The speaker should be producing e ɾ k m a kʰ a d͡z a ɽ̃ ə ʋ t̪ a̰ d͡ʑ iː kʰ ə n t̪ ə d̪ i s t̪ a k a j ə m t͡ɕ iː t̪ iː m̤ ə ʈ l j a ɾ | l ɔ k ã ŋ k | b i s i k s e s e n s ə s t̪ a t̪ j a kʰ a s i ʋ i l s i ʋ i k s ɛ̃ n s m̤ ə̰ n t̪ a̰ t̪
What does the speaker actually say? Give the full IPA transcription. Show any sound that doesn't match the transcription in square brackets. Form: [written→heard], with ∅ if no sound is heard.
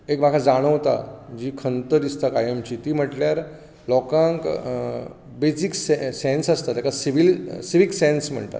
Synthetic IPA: e [ɾ→∅] k m a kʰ a d͡z a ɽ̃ ə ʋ t̪ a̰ d͡ʑ iː kʰ ə n t̪ ə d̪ i s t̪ a k a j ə m t͡ɕ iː t̪ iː m̤ ə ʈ l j a ɾ | l ɔ k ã ŋ k | b [i→e] s i k s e s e n s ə s t̪ a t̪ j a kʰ a s i ʋ i l s i ʋ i k s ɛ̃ n s m̤ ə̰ [n→ɳ] t̪ a̰ t̪